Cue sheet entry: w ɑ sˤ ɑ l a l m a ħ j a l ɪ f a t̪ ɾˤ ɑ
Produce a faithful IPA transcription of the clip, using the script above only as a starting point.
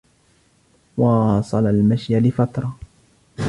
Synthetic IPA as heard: w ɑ sˤ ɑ l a l m a ʃ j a l ɪ f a t̪ ɾˤ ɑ